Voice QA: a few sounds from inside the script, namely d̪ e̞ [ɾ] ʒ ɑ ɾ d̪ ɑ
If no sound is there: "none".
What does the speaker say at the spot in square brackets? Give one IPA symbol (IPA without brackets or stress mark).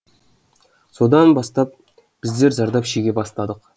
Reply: ɾ